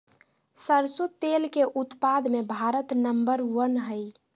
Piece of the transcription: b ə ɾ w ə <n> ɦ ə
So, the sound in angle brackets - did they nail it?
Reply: yes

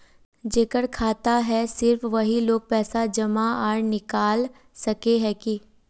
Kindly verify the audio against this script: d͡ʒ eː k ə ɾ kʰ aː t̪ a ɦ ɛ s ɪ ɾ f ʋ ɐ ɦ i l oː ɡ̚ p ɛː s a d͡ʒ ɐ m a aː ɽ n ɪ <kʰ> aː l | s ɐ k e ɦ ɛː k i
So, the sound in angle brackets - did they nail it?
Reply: no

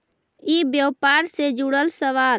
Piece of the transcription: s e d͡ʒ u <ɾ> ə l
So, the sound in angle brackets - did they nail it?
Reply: no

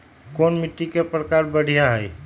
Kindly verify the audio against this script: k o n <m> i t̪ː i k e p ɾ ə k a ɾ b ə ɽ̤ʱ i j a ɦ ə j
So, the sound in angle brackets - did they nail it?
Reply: yes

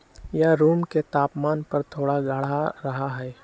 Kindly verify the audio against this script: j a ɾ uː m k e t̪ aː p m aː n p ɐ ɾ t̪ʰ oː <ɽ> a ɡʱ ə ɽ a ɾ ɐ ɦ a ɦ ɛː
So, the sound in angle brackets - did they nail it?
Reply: yes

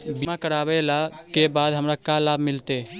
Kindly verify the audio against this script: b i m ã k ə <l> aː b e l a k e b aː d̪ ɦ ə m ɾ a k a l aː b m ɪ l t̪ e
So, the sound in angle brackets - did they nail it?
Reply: no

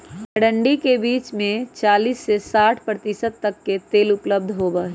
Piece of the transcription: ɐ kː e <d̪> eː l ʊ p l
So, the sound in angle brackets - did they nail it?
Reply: no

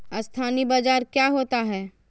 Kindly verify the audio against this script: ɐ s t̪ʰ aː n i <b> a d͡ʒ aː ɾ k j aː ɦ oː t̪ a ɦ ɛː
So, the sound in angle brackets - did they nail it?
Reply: yes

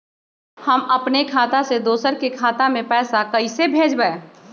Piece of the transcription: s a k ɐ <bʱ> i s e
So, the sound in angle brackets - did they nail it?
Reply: no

